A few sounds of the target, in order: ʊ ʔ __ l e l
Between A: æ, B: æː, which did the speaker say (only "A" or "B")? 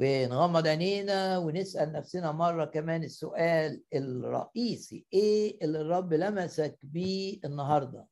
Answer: B